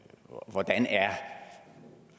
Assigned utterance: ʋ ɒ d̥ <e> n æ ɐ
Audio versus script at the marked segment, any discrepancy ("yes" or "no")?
yes